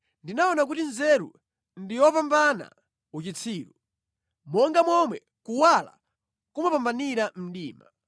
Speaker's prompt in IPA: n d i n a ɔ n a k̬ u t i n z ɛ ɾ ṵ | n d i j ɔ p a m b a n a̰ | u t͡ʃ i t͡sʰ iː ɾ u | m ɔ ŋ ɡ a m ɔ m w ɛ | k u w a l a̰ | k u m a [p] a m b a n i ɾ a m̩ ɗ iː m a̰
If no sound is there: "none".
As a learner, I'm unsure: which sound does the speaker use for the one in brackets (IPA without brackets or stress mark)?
p